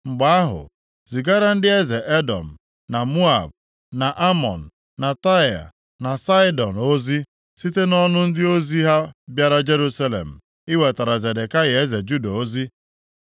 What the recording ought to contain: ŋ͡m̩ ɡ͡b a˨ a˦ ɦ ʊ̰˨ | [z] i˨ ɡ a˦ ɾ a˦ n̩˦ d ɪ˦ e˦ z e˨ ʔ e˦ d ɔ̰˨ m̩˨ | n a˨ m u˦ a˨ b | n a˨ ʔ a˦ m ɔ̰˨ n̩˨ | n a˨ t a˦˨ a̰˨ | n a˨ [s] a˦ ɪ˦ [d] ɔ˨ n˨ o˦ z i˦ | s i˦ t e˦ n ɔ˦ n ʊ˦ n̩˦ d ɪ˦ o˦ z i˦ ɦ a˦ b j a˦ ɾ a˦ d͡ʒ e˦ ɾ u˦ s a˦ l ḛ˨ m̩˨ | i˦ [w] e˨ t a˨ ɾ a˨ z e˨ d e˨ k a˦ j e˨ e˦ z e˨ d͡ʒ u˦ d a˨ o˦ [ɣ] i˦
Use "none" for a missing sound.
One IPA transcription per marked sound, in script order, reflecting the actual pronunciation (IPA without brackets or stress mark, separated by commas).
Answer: z, s, d, w, z